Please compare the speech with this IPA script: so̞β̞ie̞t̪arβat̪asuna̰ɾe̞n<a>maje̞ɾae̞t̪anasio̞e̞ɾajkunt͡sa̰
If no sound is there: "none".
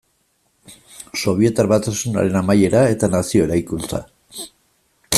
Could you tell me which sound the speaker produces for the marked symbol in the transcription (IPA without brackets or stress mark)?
a